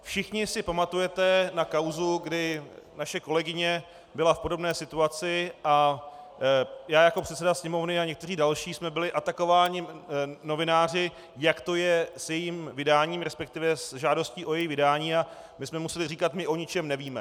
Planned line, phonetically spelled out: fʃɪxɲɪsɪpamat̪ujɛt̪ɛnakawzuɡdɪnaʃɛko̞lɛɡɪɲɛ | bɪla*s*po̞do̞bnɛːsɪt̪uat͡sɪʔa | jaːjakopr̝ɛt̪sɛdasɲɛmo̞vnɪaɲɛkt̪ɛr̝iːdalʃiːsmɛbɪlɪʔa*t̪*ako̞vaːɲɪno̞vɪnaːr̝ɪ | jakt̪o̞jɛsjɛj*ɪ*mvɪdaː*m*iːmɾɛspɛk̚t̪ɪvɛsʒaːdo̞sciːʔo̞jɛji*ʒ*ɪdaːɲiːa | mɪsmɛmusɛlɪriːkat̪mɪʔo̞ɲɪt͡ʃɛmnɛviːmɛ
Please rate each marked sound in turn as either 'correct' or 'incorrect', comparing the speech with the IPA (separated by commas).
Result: incorrect, correct, incorrect, incorrect, incorrect